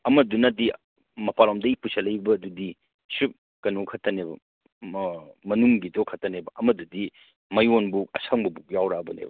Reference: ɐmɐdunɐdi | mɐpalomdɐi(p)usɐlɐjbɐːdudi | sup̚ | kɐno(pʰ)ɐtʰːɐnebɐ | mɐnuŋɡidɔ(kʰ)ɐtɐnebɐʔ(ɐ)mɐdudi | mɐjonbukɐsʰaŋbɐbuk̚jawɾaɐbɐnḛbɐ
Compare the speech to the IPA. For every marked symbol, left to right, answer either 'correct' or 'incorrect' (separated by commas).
correct, incorrect, correct, correct